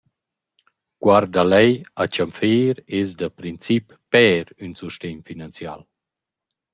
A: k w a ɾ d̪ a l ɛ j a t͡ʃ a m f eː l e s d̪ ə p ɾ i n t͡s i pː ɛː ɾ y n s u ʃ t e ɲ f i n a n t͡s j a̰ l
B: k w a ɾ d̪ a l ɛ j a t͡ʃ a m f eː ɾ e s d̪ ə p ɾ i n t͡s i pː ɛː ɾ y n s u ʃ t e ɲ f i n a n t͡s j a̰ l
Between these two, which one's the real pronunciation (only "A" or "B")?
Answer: B